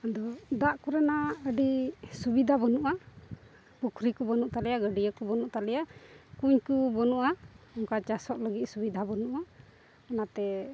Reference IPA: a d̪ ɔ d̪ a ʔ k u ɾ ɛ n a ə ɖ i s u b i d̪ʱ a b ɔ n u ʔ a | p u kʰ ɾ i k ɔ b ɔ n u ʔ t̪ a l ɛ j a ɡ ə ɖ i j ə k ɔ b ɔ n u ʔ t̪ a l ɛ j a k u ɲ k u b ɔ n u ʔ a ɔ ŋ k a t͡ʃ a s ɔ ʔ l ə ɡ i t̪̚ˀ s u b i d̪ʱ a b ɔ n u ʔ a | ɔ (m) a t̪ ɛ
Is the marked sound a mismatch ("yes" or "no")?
yes